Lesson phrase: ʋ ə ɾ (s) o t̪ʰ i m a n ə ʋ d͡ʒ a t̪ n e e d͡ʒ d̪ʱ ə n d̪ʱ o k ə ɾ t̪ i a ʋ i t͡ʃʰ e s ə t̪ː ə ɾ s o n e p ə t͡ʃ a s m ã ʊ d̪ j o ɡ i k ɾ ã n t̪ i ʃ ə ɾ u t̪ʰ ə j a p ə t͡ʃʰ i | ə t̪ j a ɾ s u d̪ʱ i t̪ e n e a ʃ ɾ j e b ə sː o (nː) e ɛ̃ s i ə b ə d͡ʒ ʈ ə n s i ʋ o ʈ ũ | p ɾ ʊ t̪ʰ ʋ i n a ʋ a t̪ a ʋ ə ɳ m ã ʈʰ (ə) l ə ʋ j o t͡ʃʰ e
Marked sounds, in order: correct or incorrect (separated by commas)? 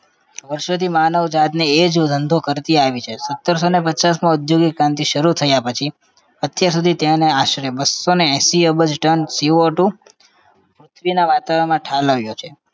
incorrect, incorrect, incorrect